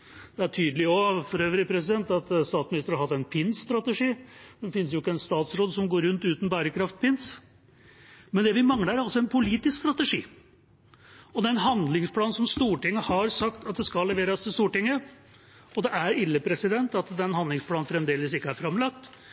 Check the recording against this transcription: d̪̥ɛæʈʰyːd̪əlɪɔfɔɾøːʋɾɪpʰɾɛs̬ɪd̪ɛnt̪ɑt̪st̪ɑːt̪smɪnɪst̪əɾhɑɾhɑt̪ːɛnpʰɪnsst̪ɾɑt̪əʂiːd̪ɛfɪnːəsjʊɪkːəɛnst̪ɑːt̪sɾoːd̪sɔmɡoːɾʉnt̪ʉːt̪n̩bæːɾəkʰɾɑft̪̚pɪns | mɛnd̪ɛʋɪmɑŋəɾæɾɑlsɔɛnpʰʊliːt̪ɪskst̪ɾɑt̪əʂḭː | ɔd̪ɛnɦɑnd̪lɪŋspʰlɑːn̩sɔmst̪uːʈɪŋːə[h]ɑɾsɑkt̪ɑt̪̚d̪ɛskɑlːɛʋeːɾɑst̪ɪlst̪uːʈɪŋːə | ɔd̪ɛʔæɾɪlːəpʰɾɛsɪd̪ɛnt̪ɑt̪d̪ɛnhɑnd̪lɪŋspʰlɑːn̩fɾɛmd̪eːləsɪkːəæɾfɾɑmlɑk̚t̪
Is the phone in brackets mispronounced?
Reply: no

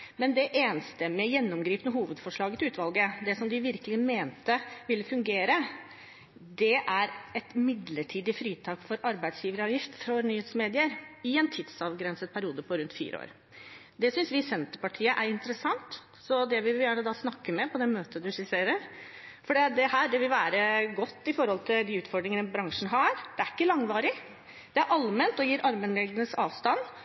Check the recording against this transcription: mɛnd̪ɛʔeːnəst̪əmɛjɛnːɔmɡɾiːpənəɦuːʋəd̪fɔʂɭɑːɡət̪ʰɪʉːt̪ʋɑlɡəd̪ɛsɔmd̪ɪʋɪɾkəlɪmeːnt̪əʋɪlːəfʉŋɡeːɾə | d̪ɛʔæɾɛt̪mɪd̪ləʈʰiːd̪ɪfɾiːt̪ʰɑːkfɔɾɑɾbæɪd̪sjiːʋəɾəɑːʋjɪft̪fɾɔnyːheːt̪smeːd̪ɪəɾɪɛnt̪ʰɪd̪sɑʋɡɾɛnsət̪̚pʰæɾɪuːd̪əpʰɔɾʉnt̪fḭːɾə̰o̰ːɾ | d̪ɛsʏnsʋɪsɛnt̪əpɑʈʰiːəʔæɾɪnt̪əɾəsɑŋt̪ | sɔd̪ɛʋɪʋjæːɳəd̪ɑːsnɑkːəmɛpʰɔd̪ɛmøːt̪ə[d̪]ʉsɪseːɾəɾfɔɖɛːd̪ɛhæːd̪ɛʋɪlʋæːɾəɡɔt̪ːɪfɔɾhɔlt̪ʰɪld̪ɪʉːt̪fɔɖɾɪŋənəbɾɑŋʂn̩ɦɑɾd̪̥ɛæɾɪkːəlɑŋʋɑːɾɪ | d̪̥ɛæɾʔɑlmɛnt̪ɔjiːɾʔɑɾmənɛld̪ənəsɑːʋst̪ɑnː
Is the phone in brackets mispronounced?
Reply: no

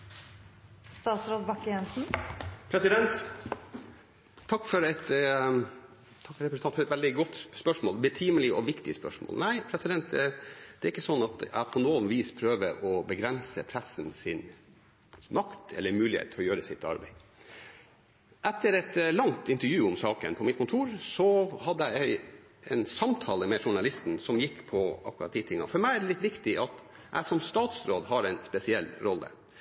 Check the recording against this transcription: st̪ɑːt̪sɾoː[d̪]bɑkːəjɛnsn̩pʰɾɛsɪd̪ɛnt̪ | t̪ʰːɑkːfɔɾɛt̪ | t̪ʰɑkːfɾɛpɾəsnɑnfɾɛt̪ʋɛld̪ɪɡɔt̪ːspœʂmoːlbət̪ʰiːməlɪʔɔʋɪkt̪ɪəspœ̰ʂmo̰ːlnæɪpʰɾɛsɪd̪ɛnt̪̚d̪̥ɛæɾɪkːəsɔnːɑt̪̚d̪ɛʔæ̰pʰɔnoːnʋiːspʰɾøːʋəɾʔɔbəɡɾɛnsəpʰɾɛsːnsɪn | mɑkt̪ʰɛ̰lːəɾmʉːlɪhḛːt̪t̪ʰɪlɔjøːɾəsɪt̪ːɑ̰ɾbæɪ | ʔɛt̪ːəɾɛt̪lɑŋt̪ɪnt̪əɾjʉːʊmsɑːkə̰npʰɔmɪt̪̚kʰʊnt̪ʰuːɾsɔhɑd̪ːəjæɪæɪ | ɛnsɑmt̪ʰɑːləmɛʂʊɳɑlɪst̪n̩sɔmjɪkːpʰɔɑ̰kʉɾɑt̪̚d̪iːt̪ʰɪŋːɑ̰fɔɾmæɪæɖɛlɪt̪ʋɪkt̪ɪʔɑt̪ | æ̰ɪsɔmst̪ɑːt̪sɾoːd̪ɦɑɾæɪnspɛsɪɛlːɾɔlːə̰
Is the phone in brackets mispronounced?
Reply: no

